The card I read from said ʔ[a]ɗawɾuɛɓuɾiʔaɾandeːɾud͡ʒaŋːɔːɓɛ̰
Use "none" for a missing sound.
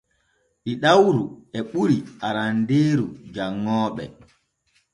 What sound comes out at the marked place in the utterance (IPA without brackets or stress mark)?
i